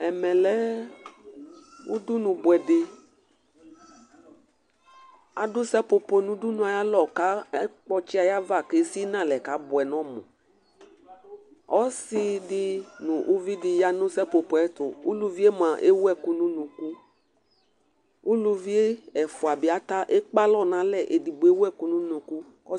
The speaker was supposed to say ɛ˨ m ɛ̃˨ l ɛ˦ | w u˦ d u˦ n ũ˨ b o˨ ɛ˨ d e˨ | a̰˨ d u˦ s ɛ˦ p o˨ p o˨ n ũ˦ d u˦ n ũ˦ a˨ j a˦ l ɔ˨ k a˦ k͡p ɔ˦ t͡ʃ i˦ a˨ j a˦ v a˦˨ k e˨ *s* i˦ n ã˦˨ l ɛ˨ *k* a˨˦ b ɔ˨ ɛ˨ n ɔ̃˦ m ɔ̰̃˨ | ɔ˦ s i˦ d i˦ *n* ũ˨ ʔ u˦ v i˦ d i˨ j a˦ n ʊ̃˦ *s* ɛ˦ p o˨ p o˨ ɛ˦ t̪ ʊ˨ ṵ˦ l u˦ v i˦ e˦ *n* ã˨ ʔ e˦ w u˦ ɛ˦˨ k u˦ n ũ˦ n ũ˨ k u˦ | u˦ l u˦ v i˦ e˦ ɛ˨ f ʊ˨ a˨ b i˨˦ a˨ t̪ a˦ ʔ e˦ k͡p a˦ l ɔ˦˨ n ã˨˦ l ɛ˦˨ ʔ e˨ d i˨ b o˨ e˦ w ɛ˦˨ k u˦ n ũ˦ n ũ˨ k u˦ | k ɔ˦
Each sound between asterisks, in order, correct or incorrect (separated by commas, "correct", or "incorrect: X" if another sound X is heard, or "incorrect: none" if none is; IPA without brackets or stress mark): correct, correct, correct, correct, incorrect: m